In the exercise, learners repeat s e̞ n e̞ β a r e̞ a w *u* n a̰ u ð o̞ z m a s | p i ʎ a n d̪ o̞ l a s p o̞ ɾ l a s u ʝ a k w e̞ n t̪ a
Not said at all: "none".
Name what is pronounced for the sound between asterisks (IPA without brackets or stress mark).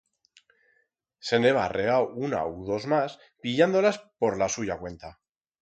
u